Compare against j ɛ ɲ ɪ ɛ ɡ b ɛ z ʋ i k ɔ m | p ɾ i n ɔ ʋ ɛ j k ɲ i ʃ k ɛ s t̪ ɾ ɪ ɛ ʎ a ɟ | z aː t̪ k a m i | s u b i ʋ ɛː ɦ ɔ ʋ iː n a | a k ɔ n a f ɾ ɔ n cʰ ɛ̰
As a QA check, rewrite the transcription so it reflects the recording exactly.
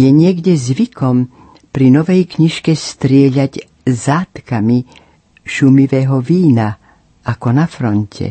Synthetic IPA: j ɛ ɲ ɪ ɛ ɡ ɟ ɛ z ʋ i k ɔ m | p ɾ i n ɔ ʋ ɛ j k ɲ i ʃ k ɛ s t̪ ɾ ɪ ɛ ʎ a ɟ | z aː t̪ k a m i | ʃ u m i ʋ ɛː ɦ ɔ ʋ iː n a | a k ɔ n a f ɾ ɔ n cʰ ɛ̰